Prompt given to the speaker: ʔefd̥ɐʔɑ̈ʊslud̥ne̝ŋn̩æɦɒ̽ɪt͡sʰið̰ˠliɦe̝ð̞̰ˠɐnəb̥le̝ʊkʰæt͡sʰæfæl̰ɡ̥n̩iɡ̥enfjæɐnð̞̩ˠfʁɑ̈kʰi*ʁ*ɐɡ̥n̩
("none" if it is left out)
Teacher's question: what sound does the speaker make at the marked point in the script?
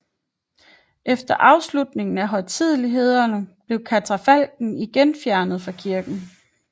none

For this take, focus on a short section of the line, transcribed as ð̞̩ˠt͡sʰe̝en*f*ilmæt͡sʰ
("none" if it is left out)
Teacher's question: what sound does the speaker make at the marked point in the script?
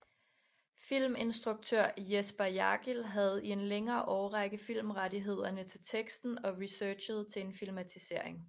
f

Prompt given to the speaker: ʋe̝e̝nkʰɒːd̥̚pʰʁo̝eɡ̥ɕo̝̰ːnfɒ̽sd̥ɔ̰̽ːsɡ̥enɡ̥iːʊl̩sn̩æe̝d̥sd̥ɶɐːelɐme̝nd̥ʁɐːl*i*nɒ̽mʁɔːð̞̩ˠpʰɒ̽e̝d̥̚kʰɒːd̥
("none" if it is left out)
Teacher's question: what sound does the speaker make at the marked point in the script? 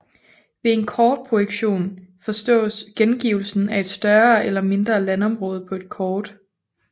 æ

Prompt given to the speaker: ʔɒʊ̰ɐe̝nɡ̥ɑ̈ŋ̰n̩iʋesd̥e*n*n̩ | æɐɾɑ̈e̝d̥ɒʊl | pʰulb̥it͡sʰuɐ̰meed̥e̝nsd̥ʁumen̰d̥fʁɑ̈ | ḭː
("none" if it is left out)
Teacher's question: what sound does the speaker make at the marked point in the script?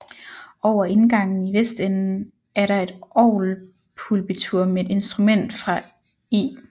n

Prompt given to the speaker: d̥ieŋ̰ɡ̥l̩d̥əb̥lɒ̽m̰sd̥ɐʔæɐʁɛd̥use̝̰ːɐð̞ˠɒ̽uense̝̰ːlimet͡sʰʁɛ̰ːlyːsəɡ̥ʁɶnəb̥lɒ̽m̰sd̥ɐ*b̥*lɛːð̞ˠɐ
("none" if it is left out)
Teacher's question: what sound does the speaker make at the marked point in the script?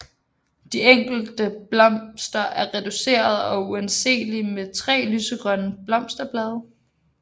b̥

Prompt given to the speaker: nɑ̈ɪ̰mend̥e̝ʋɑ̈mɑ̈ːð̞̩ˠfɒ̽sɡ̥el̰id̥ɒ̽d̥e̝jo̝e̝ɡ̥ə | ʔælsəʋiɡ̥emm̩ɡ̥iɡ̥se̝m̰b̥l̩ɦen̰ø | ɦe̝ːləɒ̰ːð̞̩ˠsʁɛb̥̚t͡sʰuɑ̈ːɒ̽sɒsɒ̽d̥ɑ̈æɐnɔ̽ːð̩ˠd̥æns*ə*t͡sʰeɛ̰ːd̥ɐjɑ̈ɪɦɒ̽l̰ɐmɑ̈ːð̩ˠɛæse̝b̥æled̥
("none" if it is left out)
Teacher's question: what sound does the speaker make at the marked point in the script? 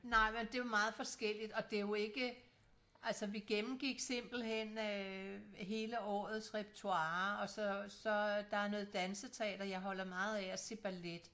ə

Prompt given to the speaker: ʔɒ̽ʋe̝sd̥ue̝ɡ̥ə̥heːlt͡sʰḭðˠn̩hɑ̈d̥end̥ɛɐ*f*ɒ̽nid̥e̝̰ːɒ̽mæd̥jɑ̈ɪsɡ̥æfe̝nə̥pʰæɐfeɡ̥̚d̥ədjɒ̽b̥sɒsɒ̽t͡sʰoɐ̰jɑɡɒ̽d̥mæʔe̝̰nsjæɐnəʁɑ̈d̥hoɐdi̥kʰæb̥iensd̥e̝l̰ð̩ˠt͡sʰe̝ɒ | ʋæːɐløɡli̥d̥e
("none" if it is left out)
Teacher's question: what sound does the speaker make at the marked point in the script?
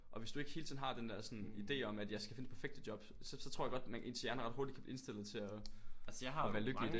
s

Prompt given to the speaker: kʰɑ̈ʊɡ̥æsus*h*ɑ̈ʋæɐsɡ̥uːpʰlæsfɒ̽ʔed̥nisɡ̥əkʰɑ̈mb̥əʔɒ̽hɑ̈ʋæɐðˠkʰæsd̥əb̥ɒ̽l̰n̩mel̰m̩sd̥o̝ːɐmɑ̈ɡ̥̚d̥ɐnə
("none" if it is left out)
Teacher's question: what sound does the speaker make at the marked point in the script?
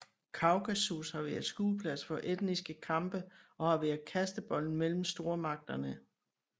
h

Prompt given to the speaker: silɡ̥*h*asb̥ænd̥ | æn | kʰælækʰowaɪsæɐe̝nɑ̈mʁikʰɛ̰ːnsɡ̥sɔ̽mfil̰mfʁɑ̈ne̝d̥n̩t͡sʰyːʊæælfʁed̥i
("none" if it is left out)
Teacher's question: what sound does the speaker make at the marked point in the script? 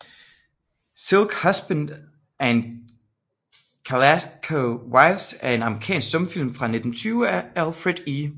h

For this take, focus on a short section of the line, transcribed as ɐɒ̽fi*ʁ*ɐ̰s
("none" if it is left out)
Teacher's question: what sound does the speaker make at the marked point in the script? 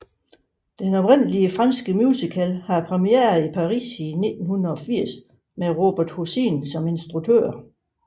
none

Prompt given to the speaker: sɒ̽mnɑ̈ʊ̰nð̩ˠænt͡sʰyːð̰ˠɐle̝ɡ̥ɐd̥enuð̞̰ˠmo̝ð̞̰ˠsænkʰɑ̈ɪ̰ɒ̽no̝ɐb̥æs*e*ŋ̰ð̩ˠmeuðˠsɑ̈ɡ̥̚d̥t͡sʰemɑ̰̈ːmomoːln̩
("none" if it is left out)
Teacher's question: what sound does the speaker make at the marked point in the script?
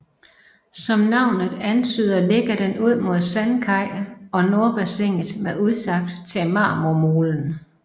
e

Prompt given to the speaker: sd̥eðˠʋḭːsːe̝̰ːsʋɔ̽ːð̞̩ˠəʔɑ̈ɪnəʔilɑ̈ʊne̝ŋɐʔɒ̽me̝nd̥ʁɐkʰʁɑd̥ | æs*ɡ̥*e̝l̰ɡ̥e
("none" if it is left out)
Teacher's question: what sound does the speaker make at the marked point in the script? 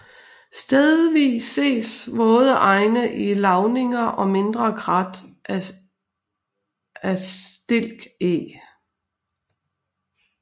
d̥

